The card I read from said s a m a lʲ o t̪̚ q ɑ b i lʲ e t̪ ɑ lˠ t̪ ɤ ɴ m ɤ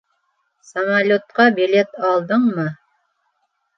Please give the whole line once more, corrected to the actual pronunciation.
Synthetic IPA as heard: s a m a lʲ o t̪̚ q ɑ b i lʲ e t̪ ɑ lˠ d̪ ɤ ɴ m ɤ